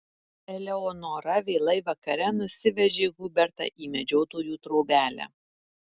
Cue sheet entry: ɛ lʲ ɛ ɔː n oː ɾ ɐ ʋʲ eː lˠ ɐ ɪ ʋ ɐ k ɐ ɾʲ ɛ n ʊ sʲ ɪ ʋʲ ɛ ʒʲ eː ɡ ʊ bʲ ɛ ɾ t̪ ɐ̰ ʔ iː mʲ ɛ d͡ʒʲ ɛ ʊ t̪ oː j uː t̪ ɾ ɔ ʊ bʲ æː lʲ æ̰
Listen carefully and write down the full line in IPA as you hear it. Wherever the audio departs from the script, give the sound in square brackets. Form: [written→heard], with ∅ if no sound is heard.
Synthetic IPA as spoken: ɛ lʲ ɛ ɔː n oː ɾ ɐ ʋʲ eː lˠ ɐ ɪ ʋ ɐ k ɐ ɾʲ ɛ n ʊ sʲ ɪ ʋʲ ɛ ʒʲ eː ɡ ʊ bʲ ɛ ɾ t̪ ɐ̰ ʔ iː mʲ ɛ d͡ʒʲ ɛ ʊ t̪ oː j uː t̪ ɾ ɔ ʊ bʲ æː lʲ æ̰